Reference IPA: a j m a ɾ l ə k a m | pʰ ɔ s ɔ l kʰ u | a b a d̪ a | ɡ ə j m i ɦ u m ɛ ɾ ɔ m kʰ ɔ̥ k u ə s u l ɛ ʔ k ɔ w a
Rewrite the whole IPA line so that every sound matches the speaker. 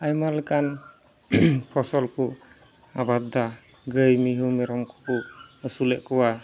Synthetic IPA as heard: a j m a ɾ l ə k a n | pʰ ɔ s ɔ l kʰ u | a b a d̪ a | ɡ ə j m i ɦ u m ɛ ɾ ɔ m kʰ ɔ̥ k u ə s u l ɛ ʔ k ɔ w a